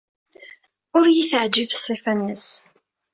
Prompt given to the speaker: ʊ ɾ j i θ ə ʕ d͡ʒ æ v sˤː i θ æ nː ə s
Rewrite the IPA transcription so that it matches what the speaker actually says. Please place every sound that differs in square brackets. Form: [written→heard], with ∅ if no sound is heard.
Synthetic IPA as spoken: ʊ ɾ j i θ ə ʕ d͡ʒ [æ→i] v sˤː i [θ→f] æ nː ə s